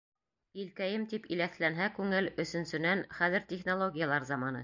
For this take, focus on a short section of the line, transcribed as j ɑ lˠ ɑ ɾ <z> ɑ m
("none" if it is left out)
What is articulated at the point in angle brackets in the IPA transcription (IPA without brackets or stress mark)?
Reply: z